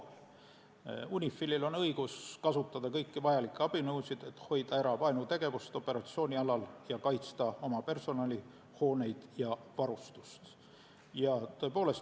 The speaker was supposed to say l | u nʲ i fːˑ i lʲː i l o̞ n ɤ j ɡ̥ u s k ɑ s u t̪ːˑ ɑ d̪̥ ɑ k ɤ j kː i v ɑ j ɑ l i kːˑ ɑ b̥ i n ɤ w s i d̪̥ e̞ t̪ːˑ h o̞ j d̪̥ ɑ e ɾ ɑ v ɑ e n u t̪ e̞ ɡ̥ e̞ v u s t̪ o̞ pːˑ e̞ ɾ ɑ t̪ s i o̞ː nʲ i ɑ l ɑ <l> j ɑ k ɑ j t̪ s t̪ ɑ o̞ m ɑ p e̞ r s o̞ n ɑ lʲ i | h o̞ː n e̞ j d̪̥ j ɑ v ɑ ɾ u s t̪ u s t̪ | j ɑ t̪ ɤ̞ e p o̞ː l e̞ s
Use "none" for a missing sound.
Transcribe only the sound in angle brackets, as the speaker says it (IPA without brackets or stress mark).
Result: l